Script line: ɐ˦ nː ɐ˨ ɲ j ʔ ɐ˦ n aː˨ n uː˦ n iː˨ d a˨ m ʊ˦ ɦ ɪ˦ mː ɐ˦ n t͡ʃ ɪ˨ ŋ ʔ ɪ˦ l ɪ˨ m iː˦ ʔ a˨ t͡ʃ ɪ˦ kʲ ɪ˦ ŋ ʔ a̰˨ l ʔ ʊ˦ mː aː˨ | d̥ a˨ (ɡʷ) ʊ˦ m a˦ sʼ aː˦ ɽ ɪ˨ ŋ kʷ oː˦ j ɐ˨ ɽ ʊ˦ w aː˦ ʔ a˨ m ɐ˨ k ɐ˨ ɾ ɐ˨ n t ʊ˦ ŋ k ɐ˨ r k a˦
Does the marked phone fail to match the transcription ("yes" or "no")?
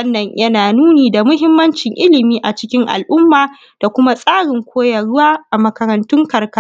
yes